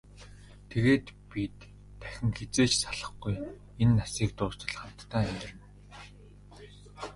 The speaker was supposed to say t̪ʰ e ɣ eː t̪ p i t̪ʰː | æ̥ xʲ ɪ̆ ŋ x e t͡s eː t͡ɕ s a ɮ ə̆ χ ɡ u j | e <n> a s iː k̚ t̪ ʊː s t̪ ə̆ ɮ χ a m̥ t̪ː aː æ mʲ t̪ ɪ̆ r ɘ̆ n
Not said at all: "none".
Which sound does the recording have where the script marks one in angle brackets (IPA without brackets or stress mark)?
nː